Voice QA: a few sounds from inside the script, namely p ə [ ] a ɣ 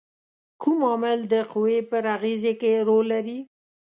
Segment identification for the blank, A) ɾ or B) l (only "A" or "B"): A